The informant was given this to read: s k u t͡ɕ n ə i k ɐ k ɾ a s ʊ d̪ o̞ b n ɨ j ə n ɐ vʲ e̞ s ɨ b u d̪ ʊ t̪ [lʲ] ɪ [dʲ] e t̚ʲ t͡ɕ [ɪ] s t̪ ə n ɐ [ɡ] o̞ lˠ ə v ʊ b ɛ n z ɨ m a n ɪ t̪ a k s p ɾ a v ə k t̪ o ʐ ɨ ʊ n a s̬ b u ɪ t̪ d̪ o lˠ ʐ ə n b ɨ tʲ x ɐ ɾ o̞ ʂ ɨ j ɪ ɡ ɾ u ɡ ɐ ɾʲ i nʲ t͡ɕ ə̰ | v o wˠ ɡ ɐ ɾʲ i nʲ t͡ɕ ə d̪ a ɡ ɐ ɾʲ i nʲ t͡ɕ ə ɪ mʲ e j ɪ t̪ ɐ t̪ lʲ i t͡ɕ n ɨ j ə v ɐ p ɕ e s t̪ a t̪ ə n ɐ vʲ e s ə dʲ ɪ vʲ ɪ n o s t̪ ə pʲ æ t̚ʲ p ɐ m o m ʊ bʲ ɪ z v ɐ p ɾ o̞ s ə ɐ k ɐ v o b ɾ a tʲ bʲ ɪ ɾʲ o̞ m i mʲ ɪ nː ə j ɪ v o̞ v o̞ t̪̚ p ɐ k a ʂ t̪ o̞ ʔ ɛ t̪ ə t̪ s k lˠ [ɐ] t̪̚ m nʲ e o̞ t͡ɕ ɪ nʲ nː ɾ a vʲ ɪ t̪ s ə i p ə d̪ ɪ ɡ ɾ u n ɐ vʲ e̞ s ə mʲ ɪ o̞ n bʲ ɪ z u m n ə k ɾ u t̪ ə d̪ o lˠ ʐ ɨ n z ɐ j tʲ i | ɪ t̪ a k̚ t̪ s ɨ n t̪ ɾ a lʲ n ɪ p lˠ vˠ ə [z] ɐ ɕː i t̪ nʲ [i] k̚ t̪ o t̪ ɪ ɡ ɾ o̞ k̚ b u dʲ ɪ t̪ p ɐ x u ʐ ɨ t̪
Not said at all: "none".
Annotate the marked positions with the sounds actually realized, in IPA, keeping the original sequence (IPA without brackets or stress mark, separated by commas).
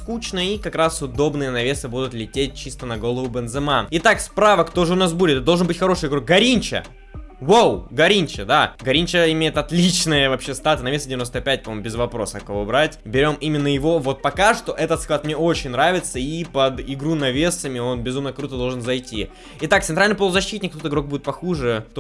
lʲ, tʲ, i, ɡ, a, z, ɪ